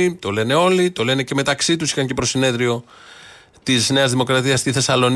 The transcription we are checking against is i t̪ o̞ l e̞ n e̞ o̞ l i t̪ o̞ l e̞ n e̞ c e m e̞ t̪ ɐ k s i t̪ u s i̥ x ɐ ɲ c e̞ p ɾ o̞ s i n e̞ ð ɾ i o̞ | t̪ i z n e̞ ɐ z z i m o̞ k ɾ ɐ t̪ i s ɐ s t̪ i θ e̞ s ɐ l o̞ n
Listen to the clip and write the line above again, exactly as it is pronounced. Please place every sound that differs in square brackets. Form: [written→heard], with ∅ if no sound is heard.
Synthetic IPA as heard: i t̪ o̞ l e̞ n e̞ o̞ l i t̪ o̞ l e̞ n e̞ c e m e̞ t̪ ɐ k s i t̪ u s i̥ x ɐ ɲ c e̞ p ɾ o̞ s i n e̞ ð ɾ i o̞ | t̪ i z n e̞ ɐ z [z→ð] i m o̞ k ɾ ɐ t̪ i [s→∅] ɐ s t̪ i θ e̞ s ɐ l o̞ n